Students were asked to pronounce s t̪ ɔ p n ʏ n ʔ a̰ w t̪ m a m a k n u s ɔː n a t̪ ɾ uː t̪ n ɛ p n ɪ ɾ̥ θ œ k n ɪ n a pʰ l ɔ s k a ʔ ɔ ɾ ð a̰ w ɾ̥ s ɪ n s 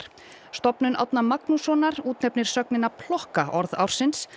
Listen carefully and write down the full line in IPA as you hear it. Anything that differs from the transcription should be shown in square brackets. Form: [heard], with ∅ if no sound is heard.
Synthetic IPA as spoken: s t̪ ɔ p n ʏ n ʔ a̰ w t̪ [n] a m a k n u s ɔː n a [∅] ɾ uː t̪ n ɛ p n ɪ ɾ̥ [s] œ k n ɪ n a pʰ l ɔ [h] k a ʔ ɔ ɾ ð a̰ w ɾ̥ s ɪ n s